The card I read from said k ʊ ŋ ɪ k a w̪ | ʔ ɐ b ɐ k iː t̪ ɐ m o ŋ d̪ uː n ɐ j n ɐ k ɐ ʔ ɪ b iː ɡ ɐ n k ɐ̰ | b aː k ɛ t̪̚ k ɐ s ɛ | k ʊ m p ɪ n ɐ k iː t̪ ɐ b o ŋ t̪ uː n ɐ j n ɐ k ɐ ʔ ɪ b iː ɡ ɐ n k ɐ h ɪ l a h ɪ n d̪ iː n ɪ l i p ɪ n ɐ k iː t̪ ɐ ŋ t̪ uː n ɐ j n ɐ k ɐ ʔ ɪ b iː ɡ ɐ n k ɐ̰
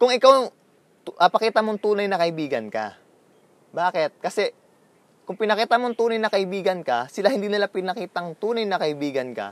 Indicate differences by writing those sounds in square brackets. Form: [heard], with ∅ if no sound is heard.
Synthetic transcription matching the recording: k ʊ ŋ ɪ k a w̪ | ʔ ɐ [p] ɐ k iː t̪ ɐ m o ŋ [t̪] uː n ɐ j n ɐ k ɐ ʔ ɪ b iː ɡ ɐ n k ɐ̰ | b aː k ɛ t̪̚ k ɐ s ɛ | k ʊ [ŋ] p ɪ n ɐ k iː t̪ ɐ [m] o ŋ t̪ uː n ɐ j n ɐ k ɐ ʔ ɪ b iː ɡ ɐ n k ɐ [s] ɪ l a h ɪ n d̪ iː n ɪ l [a] p ɪ n ɐ k iː t̪ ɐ ŋ t̪ uː n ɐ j n ɐ k ɐ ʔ ɪ b iː ɡ ɐ n k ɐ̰